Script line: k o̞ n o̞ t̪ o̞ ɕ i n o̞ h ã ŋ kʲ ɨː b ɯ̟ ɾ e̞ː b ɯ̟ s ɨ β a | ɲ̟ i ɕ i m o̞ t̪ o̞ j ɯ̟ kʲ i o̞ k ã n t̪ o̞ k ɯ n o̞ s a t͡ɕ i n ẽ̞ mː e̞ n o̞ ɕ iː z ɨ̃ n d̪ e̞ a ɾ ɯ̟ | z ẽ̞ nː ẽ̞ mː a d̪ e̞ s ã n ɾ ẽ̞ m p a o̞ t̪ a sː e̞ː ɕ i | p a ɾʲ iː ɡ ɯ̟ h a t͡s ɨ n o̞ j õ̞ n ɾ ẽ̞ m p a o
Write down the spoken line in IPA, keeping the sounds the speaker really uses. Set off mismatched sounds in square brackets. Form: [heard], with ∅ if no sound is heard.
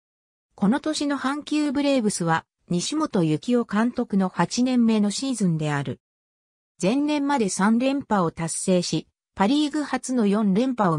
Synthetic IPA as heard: k o̞ n o̞ t̪ o̞ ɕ i n o̞ h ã ŋ kʲ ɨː b ɯ̟ ɾ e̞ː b ɯ̟ s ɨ β a | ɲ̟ i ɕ i m o̞ t̪ o̞ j ɯ̟ kʲ i o̞ k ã n t̪ o̞ k ɯ n o̞ [h] a t͡ɕ i n ẽ̞ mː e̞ n o̞ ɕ iː z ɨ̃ n d̪ e̞ a ɾ ɯ̟ | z ẽ̞ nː ẽ̞ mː a d̪ e̞ s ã n ɾ ẽ̞ m p a o̞ t̪ a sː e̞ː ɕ i | p a ɾʲ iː ɡ ɯ̟ h a t͡s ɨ n o̞ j õ̞ n ɾ ẽ̞ m p a o